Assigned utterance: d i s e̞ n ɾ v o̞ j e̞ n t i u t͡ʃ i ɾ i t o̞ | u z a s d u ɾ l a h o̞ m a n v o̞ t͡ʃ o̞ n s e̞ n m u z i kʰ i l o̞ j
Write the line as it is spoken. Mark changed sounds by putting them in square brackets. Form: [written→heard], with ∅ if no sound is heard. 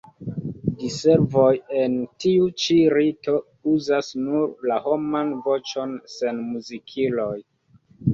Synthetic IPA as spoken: d i s e̞ [n→∅] ɾ v o̞ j e̞ n t i u t͡ʃ i ɾ i t o̞ | u z a s [d→n] u ɾ l a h o̞ m a n v o̞ t͡ʃ o̞ n s e̞ n m u z i kʰ i l o̞ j